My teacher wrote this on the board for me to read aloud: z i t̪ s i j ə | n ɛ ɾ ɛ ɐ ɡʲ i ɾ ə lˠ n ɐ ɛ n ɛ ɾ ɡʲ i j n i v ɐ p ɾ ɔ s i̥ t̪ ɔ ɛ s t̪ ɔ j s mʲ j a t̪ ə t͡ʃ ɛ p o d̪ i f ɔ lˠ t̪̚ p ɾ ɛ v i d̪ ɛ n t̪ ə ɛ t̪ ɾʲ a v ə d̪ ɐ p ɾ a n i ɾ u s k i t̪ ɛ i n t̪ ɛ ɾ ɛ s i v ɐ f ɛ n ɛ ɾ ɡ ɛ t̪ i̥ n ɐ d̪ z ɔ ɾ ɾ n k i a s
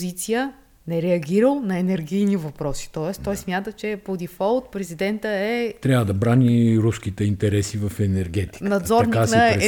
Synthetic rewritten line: z i t̪ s i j ə | n ɛ ɾ ɛ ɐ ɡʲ i ɾ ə lˠ n ɐ ɛ n ɛ ɾ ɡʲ i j n i v ɐ p ɾ ɔ s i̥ t̪ ɔ ɛ s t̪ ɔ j s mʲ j a t̪ ə t͡ʃ ɛ p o d̪ i f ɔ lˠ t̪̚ p ɾ ɛ z i d̪ ɛ n t̪ ə ɛ t̪ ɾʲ a v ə d̪ ɐ b ɾ a n i ɾ u s k i t̪ ɛ i n t̪ ɛ ɾ ɛ s i v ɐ f ɛ n ɛ ɾ ɡ ɛ t̪ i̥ n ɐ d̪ z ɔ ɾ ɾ n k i a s